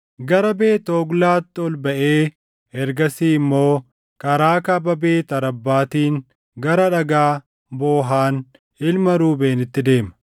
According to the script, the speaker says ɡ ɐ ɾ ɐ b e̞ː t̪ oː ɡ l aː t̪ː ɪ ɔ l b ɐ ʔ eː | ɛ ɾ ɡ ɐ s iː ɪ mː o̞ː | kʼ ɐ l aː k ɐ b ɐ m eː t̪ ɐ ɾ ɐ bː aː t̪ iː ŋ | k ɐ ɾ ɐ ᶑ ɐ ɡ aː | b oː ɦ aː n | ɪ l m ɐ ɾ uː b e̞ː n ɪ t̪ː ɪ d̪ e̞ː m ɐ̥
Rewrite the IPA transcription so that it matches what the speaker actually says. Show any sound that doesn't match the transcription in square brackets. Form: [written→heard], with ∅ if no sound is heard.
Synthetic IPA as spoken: ɡ ɐ ɾ ɐ b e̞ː t̪ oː ɡ l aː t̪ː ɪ ɔ l b ɐ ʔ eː | ɛ ɾ ɡ ɐ s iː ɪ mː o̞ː | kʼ ɐ [l→ɾ] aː k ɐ b ɐ [m→b] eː t̪ ɐ ɾ ɐ bː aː t̪ iː ŋ | [k→ɡ] ɐ ɾ ɐ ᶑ ɐ ɡ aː | b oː ɦ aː n | ɪ l m ɐ ɾ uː b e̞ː n ɪ t̪ː ɪ d̪ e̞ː m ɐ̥

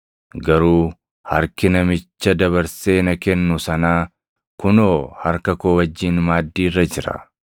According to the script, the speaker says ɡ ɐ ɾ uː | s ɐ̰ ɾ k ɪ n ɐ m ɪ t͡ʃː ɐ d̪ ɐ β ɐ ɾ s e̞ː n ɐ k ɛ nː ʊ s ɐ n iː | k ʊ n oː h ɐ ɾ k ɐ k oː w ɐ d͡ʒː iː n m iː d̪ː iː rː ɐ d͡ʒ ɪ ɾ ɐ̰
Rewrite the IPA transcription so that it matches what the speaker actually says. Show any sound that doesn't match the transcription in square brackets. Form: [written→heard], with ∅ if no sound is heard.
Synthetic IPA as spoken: ɡ ɐ ɾ uː | [s→h] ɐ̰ ɾ k ɪ n ɐ m ɪ t͡ʃː ɐ d̪ ɐ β ɐ ɾ s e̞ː n ɐ k ɛ nː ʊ s ɐ n [iː→aː] | k ʊ n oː h ɐ ɾ k ɐ k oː w ɐ d͡ʒː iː n m [iː→aː] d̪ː iː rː ɐ d͡ʒ ɪ ɾ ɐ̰

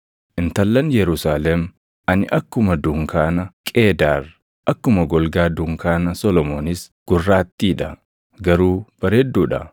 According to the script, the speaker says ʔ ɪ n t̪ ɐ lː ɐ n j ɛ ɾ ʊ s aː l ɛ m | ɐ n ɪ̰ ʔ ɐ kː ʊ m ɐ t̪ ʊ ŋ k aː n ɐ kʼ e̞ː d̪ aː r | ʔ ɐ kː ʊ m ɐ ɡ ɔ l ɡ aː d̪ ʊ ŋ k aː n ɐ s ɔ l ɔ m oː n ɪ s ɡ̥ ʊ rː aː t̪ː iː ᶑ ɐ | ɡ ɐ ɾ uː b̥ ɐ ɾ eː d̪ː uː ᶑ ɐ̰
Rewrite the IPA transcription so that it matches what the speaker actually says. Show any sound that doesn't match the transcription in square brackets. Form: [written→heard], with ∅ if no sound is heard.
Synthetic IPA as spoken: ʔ ɪ n t̪ ɐ lː ɐ n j ɛ ɾ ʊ s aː l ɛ m | ɐ n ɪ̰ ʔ ɐ kː ʊ m ɐ [t̪→d̪] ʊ ŋ k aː n ɐ kʼ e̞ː d̪ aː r | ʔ ɐ kː ʊ m ɐ ɡ ɔ l ɡ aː d̪ ʊ ŋ k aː n ɐ s ɔ l ɔ m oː n ɪ s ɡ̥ ʊ rː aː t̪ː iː ᶑ ɐ | ɡ ɐ ɾ uː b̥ ɐ ɾ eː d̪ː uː ᶑ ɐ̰

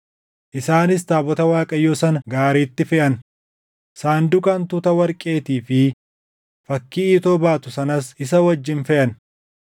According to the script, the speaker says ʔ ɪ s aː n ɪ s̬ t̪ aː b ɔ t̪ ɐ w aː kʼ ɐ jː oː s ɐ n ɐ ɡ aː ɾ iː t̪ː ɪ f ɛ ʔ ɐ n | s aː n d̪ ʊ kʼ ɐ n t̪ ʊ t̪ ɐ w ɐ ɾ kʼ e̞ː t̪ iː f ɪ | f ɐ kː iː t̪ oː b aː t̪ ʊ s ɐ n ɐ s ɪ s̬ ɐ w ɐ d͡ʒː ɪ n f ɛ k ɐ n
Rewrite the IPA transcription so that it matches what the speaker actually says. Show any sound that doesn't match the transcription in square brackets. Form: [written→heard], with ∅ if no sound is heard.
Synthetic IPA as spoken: ʔ ɪ s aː n ɪ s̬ t̪ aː b ɔ t̪ ɐ w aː kʼ ɐ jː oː s ɐ n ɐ ɡ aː ɾ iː t̪ː ɪ f ɛ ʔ ɐ n | s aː n d̪ ʊ kʼ ɐ n t̪ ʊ t̪ ɐ w ɐ ɾ kʼ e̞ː t̪ iː f ɪ | f ɐ kː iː t̪ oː b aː t̪ ʊ s ɐ n ɐ s ɪ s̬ ɐ w ɐ d͡ʒː ɪ n f ɛ [k→ʔ] ɐ n

